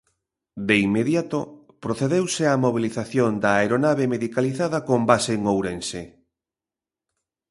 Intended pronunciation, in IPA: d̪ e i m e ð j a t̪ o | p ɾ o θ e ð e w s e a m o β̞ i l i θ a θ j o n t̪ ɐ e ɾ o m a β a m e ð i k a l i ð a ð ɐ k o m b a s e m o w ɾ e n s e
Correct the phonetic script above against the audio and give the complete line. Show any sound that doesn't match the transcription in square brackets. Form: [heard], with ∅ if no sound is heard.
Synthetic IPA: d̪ e i m e ð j a t̪ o | p ɾ o θ e ð e w s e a m o β̞ i l i θ a θ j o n [d̪] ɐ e ɾ o [n] a β [e] m e ð i k a l i [θ] a ð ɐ k o m b a s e [ŋ] o w ɾ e n s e